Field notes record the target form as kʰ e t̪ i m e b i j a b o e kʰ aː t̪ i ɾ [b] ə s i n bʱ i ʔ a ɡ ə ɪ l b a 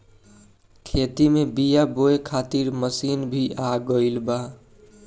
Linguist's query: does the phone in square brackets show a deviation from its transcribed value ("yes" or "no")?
yes